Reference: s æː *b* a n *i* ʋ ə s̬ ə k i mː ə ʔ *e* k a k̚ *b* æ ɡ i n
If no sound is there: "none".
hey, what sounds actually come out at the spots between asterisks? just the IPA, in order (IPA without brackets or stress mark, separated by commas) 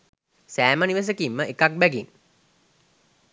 m, i, e, b